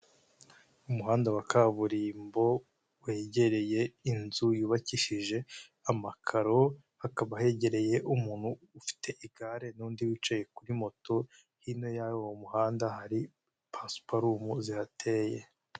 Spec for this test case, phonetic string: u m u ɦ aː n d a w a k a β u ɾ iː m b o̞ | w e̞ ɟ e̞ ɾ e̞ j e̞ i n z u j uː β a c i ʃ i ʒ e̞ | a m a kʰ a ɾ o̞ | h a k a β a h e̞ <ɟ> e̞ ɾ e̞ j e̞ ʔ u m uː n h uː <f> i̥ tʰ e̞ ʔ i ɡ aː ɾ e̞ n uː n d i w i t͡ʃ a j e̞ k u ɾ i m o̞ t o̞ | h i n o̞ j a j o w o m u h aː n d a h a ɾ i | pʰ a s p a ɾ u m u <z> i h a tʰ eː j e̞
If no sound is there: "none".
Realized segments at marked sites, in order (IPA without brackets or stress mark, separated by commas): ɟ, f, z